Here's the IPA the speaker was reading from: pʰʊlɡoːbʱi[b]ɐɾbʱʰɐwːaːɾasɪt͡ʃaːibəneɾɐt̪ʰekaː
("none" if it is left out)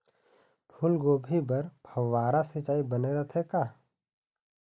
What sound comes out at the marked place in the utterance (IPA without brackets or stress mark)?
b